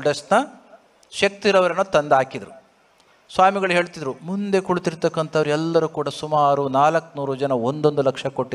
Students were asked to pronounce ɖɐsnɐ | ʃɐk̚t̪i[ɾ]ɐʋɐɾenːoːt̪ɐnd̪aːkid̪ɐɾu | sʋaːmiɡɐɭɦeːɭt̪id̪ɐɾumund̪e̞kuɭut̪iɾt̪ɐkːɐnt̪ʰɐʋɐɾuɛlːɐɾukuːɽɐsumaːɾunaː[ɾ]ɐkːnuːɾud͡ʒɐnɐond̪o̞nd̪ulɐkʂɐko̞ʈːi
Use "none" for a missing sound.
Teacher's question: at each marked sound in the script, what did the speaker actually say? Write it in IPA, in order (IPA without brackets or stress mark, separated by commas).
ɾ, l